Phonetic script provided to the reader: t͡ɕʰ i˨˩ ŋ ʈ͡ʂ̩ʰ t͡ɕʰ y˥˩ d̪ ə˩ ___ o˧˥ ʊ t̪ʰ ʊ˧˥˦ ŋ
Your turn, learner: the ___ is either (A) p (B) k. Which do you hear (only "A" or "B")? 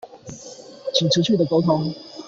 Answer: B